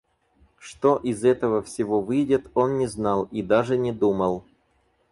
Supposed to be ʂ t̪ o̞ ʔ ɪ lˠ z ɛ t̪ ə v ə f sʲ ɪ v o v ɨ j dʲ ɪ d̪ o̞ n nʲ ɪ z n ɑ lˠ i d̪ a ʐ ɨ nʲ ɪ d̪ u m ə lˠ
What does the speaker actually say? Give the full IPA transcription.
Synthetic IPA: ʂ t̪ o̞ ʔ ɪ z ɛ t̪ ə v ə f sʲ ɪ v o v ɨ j dʲ ɪ t̪ o̞ n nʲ ɪ z n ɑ lˠ i d̪ a ʐ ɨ nʲ ɪ d̪ u m ə lˠ

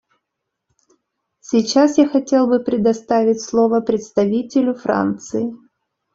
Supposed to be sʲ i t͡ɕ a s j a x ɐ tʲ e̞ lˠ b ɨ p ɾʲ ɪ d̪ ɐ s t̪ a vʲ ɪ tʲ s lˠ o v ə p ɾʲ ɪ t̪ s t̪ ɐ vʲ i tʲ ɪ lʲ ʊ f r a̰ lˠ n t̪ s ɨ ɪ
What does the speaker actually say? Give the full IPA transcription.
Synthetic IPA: sʲ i t͡ɕ a s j a x ɐ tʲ e̞ lˠ b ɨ p ɾʲ ɪ d̪ ɐ s t̪ a vʲ ɪ tʲ s lˠ o v ə p ɾʲ ɪ t̪ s t̪ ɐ vʲ i tʲ ɪ lʲ ʊ f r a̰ n t̪ s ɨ ɪ

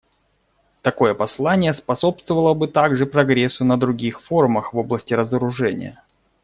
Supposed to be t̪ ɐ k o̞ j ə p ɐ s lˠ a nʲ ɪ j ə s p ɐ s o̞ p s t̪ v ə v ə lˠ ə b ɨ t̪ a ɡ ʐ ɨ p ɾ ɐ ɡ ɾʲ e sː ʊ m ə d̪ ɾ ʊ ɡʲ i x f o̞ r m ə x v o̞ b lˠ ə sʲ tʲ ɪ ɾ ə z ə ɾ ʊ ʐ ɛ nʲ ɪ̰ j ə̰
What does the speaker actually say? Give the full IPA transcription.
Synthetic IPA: t̪ ɐ k o̞ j ə p ɐ s lˠ a nʲ ɪ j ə s p ɐ s o̞ p s t̪ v ə v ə lˠ ə b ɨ t̪ a ɡ ʐ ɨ p ɾ ɐ ɡ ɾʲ e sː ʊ n ə d̪ ɾ ʊ ɡʲ i x f o̞ r m ə x v o̞ b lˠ ə sʲ tʲ ɪ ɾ ə z ə ɾ ʊ ʐ ɛ nʲ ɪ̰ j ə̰

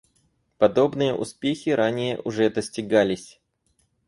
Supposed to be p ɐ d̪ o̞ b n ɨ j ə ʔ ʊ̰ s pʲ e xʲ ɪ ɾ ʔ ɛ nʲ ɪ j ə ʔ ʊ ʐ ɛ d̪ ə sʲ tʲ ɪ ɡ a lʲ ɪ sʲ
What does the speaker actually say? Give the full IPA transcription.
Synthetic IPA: p ɐ d̪ o̞ b n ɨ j ə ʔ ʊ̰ s pʲ e xʲ ɪ ɾ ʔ a nʲ ɪ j ə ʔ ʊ ʐ ɛ d̪ ə sʲ tʲ ɪ ɡ a lʲ ɪ sʲ

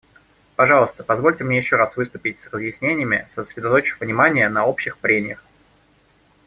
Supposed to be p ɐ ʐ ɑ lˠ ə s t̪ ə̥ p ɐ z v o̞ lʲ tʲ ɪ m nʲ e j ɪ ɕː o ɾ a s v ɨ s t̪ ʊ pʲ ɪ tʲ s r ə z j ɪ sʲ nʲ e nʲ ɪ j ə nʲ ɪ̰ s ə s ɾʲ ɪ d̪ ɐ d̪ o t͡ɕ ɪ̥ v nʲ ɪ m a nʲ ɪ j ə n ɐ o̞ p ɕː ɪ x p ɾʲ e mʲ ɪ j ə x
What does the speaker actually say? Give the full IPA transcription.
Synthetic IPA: p ɐ ʐ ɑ lˠ ə s t̪ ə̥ p ɐ z v o̞ lʲ tʲ ɪ m nʲ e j ɪ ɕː o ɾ a s v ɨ s t̪ ʊ pʲ ɪ tʲ s r ə z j ɪ sʲ nʲ e nʲ ɪ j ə mʲ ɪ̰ s ə s ɾʲ ɪ d̪ ɐ t̪ o t͡ɕ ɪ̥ v nʲ ɪ m a nʲ ɪ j ə n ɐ o̞ p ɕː ɪ x p ɾʲ e mʲ ɪ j ə x

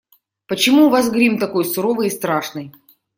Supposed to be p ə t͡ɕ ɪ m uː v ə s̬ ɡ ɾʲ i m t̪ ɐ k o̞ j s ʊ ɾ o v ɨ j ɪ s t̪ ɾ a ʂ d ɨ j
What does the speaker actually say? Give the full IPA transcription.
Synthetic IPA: p ə t͡ɕ ɪ m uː v a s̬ ɡ ɾʲ i m t̪ ɐ k o̞ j s ʊ ɾ o v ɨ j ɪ s t̪ ɾ a ʂ n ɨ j

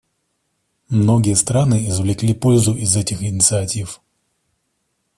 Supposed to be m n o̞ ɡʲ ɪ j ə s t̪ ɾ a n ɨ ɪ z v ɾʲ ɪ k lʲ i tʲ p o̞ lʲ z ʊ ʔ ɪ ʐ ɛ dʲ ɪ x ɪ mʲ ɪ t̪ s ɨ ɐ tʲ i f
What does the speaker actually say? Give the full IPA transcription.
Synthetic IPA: m n o̞ ɡʲ ɪ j ə s t̪ ɾ a n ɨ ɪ z v lʲ ɪ k lʲ i p o̞ lʲ z ʊ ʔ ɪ z ɛ tʲ ɪ x ɪ nʲ ɪ t̪ s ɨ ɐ tʲ i f

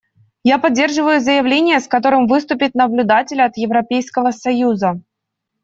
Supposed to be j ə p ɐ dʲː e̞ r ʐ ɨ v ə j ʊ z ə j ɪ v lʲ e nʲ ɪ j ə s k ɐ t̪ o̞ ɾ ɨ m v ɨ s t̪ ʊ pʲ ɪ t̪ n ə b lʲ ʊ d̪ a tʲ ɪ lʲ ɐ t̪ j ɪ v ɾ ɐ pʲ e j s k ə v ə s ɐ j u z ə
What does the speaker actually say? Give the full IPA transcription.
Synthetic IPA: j a p ɐ dʲː e̞ r ʐ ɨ v ə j ʊ z ə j ɪ v lʲ e nʲ ɪ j ə s k ɐ t̪ o̞ ɾ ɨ m v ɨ s t̪ ʊ pʲ ɪ t̪ n ə b lʲ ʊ d̪ a tʲ ɪ lʲ ɐ t̪ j ɪ v ɾ ɐ pʲ e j s k ə v ə s ɐ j u z ə

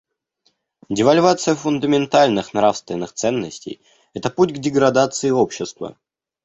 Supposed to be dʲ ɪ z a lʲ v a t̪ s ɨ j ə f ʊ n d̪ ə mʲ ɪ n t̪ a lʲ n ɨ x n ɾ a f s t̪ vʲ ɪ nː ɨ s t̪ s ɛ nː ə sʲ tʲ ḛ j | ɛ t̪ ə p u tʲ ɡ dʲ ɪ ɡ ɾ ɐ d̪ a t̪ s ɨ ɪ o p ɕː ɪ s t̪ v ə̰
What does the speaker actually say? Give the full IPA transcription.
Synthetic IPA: dʲ ɪ v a lʲ v a t̪ s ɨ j ə f ʊ n d̪ ə mʲ ɪ n t̪ a lʲ n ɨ x n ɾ a f s t̪ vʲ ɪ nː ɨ x t̪ s ɛ nː ə sʲ tʲ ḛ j | ɛ t̪ ə p u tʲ ɡ dʲ ɪ ɡ ɾ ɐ d̪ a t̪ s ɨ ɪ o p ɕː ɪ s t̪ v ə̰

